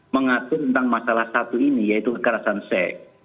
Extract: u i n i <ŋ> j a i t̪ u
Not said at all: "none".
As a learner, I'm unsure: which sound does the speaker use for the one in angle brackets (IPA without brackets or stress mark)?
none